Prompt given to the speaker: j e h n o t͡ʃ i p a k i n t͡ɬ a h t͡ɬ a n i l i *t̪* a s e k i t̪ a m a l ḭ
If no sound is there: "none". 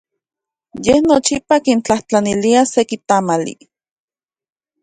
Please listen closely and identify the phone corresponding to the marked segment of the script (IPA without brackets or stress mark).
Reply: none